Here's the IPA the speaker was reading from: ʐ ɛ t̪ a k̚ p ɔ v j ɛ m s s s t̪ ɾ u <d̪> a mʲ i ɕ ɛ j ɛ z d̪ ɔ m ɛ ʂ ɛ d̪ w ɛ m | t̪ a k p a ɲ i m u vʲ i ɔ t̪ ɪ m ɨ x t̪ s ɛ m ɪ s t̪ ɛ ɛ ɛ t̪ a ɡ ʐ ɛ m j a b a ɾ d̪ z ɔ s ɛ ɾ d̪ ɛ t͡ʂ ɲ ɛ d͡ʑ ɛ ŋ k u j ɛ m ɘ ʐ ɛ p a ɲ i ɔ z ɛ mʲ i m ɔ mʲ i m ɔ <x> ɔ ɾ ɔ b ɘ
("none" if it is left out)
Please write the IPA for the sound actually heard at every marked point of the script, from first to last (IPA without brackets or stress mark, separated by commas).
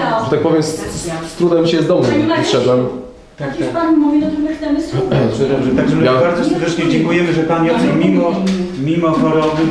d̪, x